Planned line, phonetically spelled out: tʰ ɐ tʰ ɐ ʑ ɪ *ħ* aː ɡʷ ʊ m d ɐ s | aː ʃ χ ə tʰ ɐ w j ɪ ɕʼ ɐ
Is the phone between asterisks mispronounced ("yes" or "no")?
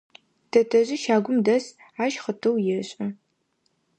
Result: yes